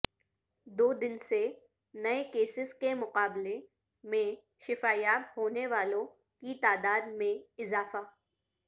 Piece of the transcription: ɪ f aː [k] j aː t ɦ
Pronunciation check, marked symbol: incorrect: none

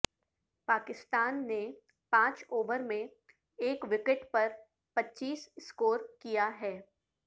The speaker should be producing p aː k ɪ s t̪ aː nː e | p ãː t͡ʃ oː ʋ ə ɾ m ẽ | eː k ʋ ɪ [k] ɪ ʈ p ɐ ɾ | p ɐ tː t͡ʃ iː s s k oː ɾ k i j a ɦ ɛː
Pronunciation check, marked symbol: correct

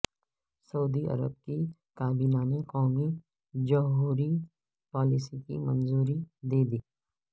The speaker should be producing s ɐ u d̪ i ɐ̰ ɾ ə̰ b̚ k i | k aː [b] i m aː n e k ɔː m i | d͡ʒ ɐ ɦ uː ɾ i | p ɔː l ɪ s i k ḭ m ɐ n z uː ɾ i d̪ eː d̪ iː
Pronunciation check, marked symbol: correct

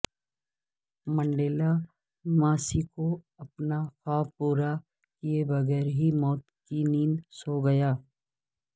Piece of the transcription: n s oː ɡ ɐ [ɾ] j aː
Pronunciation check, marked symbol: incorrect: none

